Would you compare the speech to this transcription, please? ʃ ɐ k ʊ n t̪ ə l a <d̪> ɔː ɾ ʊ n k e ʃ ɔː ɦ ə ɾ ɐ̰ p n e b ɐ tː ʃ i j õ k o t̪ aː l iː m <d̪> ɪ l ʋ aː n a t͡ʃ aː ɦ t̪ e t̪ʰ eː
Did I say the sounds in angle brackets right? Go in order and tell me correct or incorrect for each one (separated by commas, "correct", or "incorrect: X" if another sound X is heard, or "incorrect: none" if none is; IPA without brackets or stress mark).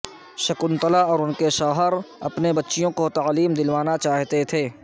incorrect: none, correct